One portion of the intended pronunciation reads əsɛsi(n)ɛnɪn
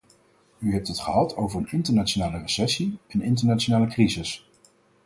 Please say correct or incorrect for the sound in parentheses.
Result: incorrect